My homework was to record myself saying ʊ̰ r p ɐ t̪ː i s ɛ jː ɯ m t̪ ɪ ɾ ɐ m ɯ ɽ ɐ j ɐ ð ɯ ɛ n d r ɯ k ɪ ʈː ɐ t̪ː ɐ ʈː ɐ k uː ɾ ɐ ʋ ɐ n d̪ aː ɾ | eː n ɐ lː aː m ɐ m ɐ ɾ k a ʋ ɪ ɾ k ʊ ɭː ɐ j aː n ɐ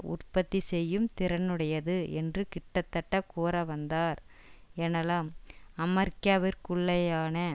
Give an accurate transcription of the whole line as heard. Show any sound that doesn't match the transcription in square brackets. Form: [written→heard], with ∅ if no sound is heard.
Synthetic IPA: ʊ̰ r p ɐ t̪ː i s ɛ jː ɯ m t̪ ɪ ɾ ɐ [m→n] ɯ ɽ ɐ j ɐ ð ɯ ɛ n d r ɯ k ɪ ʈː ɐ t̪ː ɐ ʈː ɐ k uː ɾ ɐ ʋ ɐ n d̪ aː ɾ | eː n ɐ [lː→l] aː m ɐ m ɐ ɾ k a ʋ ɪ ɾ k ʊ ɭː ɐ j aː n ɐ